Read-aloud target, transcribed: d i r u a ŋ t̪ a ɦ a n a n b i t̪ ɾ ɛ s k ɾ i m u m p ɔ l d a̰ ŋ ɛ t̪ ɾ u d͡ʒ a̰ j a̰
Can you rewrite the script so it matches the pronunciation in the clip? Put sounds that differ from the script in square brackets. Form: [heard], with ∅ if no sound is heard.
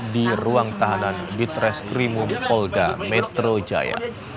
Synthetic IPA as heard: d i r u a ŋ t̪ a ɦ a n a n b i t̪ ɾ ɛ s k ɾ i m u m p ɔ l d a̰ [m] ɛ t̪ ɾ [o] d͡ʒ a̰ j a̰